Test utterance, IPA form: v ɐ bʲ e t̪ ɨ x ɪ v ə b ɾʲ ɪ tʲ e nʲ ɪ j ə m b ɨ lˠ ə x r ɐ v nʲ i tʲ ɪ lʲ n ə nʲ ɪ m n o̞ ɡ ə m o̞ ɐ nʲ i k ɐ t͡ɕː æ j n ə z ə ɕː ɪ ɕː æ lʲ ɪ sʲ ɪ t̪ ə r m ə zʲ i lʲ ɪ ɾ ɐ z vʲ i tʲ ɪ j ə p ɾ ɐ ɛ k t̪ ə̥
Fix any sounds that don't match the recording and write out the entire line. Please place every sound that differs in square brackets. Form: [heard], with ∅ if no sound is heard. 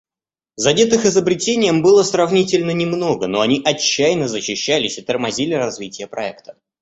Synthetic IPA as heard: [z] ɐ [dʲ] e t̪ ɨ x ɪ [z] ə b ɾʲ ɪ tʲ e nʲ ɪ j ə m b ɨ lˠ ə [s] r ɐ v nʲ i tʲ ɪ lʲ n ə nʲ ɪ m n o̞ ɡ ə [n] o̞ ɐ nʲ i [ʔ] ɐ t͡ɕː æ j n ə z ə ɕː ɪ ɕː æ lʲ ɪ sʲ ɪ t̪ ə r m [ɐ] zʲ i lʲ ɪ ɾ ɐ z vʲ i tʲ ɪ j ə p ɾ ɐ ɛ k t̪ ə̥

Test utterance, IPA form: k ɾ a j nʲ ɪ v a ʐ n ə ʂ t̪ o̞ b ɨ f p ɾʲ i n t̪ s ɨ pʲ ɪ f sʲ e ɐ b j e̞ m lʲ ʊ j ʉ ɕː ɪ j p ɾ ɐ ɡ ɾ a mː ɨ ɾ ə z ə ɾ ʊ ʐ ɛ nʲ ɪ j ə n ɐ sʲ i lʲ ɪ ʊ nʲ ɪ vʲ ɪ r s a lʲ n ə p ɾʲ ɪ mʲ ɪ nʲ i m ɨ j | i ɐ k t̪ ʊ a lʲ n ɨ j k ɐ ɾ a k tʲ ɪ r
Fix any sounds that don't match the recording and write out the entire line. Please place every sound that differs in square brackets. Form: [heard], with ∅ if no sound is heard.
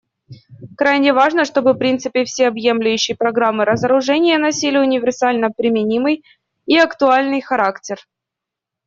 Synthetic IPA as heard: k ɾ a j nʲ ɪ v a ʐ n ə ʂ t̪ o̞ b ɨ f p ɾʲ i n t̪ s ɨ pʲ ɪ f sʲ e ɐ b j e̞ m lʲ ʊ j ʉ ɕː ɪ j p ɾ ɐ ɡ ɾ a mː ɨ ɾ ə z ə ɾ ʊ ʐ ɛ nʲ ɪ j ə n ɐ sʲ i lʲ ɪ ʊ nʲ ɪ vʲ ɪ r s a lʲ n ə p ɾʲ ɪ mʲ ɪ nʲ i m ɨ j | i ɐ k t̪ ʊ a lʲ n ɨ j [x] ɐ ɾ a k tʲ ɪ r

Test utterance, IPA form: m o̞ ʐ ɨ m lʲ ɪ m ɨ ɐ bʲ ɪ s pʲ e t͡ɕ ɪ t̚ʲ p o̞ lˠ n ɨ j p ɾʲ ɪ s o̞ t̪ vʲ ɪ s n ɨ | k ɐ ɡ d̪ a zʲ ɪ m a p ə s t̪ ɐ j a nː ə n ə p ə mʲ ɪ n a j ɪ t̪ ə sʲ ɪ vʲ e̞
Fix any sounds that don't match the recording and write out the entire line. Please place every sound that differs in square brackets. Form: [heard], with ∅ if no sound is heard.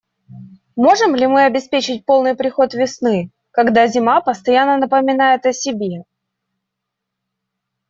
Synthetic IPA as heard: m o̞ ʐ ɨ m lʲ ɪ m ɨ ɐ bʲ ɪ s pʲ e t͡ɕ ɪ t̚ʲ p o̞ lˠ n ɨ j p ɾʲ ɪ [x] o̞ t̪ vʲ ɪ s n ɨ | k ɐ ɡ d̪ a zʲ ɪ m a p ə s t̪ ɐ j a nː ə n ə p ə mʲ ɪ n a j ɪ t̪ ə sʲ ɪ [bʲ] e̞

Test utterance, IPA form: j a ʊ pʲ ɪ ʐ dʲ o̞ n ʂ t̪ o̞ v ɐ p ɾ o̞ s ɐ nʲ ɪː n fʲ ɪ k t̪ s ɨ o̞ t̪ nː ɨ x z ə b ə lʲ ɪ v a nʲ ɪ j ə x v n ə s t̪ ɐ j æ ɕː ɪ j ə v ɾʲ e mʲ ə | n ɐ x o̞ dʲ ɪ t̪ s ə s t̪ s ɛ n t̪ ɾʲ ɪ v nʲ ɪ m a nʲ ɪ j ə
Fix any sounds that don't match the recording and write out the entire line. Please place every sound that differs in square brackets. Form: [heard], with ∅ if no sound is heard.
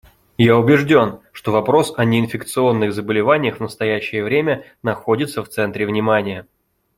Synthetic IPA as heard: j a ʊ [bʲ] ɪ ʐ dʲ o̞ n ʂ t̪ o̞ v ɐ p ɾ o̞ s ɐ nʲ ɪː n fʲ ɪ k t̪ s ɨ o̞ [∅] nː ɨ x z ə b ə lʲ ɪ v a nʲ ɪ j ə x v n ə s t̪ ɐ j æ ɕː ɪ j ə v ɾʲ e mʲ ə | n ɐ x o̞ dʲ ɪ t̪ s ə [f] t̪ s ɛ n t̪ ɾʲ ɪ v nʲ ɪ m a nʲ ɪ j ə

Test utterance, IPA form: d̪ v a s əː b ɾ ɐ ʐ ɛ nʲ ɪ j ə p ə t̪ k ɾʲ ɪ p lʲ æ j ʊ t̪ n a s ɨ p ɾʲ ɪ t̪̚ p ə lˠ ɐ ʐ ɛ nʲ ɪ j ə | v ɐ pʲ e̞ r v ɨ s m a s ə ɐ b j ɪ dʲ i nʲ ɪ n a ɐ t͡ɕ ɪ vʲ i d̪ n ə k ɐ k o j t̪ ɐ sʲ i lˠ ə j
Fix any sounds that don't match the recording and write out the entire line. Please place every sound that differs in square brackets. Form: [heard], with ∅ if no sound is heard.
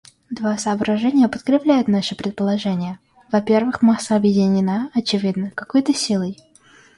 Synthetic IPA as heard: d̪ v a s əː b ɾ ɐ ʐ ɛ nʲ ɪ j ə p ə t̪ k ɾʲ ɪ p lʲ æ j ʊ t̪ n a [ʂ] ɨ p ɾʲ ɪ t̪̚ p ə lˠ ɐ ʐ ɛ nʲ ɪ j ə | v ɐ pʲ e̞ r v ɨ [x] m a s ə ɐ b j ɪ dʲ [ɪ] nʲ ɪ n a ɐ t͡ɕ ɪ vʲ i d̪ n ə k ɐ k o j t̪ [ə] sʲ i lˠ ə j

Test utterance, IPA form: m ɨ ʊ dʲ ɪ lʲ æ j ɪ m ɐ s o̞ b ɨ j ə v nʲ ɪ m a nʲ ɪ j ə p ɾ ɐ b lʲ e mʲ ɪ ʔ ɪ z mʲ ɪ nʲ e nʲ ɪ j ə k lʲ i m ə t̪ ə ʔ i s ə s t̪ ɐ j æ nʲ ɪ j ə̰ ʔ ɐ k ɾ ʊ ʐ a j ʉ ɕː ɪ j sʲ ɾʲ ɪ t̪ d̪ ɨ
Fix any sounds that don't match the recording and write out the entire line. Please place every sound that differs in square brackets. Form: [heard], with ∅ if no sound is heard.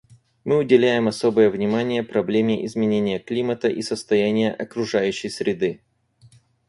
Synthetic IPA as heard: m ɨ ʊ dʲ ɪ lʲ æ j ɪ m ɐ s o̞ b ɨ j ə v nʲ ɪ m a nʲ ɪ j ə p ɾ ɐ b lʲ e mʲ ɪ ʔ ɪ z mʲ ɪ nʲ e nʲ ɪ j ə k lʲ i m ə t̪ ə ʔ i s ə s t̪ ɐ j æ nʲ ɪ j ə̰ ʔ ɐ k ɾ ʊ ʐ a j ʉ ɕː ɪ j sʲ ɾʲ ɪ [∅] d̪ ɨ

